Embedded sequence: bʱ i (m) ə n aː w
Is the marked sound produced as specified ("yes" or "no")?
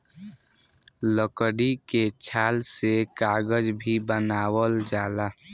no